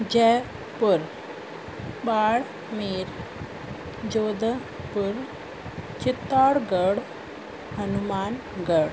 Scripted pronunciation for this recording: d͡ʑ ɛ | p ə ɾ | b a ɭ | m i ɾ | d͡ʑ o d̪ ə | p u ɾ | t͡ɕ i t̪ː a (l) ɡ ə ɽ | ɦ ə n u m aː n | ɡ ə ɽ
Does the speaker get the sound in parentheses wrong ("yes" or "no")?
yes